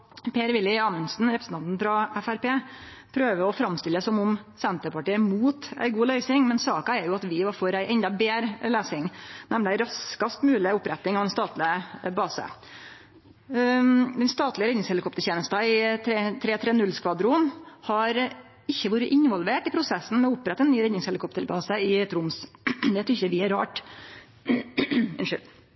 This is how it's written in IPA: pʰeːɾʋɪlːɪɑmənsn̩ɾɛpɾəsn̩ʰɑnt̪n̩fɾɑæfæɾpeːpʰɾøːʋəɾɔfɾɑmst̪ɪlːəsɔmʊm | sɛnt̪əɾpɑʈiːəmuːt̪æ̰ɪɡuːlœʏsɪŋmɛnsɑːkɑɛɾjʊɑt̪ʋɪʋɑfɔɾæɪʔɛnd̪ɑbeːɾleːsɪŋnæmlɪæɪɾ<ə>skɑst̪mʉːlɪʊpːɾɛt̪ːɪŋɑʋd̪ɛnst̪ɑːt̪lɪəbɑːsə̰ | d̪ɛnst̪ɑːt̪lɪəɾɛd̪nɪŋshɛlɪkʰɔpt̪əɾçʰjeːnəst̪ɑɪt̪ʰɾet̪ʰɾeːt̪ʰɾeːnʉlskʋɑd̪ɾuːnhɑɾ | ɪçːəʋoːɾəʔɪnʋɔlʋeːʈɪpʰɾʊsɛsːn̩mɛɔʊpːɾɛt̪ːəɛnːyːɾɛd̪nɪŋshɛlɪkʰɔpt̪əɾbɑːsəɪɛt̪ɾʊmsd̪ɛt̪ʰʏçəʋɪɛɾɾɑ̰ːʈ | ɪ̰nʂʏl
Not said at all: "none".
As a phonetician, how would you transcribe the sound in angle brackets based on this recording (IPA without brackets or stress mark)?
ɑ